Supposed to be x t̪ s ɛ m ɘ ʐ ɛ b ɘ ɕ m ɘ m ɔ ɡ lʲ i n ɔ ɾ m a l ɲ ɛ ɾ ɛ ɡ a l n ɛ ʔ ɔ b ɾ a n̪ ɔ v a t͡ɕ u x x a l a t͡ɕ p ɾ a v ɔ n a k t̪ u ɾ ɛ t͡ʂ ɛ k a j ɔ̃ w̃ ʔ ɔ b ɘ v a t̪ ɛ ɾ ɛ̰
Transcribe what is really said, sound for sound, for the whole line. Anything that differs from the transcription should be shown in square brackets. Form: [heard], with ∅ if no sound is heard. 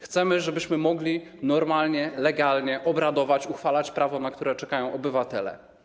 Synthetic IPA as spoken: x t̪ s ɛ m ɘ ʐ ɛ b ɘ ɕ m ɘ m ɔ ɡ lʲ i n ɔ ɾ m a l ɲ ɛ [l] ɛ ɡ a l [ɲ] ɛ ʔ ɔ b ɾ a [d̪] ɔ v a t͡ɕ u x [f] a l a t͡ɕ p ɾ a v ɔ n a k t̪ u ɾ ɛ t͡ʂ ɛ k a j ɔ̃ w̃ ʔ ɔ b ɘ v a t̪ ɛ [l] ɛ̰